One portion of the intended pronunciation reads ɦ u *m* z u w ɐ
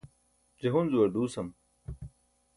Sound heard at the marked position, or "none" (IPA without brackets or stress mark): n